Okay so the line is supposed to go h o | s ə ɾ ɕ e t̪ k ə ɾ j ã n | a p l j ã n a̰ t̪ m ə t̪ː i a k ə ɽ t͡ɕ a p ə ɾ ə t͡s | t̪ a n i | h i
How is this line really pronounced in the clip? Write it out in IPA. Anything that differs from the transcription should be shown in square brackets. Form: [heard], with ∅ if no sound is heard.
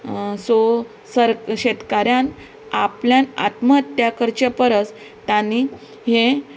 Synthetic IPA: [s] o | s ə ɾ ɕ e t̪ k [a] ɾ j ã n | a p l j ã n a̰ t̪ m ə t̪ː [j] a k ə [ɾ] t͡ɕ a p ə ɾ ə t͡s | t̪ a n i | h [e]